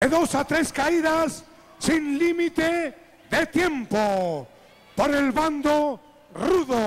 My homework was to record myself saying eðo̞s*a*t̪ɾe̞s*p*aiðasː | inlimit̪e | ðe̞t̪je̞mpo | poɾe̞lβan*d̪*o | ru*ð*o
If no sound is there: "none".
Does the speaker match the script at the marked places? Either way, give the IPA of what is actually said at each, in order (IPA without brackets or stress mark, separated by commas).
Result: a, k, d̪, ð